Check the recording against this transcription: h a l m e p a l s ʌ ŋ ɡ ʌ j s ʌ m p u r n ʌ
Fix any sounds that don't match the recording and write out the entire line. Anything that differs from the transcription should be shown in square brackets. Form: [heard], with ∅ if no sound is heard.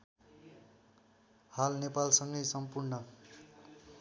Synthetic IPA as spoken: h a l [n] e p a l s ʌ ŋ ɡ ʌ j s ʌ m p u r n ʌ